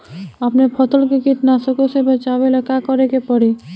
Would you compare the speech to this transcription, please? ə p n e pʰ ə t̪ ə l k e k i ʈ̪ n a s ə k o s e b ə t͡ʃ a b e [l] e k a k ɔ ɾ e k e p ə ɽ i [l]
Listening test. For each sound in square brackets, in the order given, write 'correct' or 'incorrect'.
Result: correct, incorrect

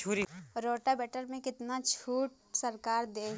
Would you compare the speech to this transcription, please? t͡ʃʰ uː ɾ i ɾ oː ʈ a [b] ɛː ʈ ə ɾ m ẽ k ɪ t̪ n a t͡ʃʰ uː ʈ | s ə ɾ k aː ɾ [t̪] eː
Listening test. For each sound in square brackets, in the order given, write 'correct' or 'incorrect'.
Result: correct, incorrect

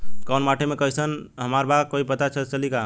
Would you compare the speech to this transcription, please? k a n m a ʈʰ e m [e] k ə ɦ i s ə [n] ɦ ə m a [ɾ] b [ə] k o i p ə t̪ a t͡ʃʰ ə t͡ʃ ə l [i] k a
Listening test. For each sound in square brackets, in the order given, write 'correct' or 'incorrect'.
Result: correct, correct, correct, incorrect, correct

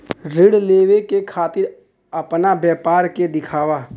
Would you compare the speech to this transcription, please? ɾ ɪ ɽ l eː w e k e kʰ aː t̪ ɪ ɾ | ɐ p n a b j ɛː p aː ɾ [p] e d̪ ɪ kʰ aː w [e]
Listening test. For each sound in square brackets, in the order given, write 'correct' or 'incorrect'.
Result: incorrect, incorrect

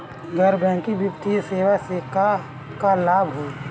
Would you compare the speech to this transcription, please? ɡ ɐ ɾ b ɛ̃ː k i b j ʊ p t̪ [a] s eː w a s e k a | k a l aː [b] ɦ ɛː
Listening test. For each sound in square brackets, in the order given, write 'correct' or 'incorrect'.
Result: incorrect, correct

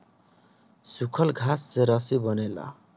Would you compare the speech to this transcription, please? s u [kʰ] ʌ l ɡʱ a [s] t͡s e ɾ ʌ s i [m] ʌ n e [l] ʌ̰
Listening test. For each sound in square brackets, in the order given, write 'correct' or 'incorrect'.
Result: correct, correct, incorrect, correct

